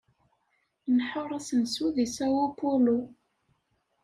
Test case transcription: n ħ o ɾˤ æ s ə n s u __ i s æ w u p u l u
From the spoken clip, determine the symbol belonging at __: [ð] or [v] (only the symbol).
ð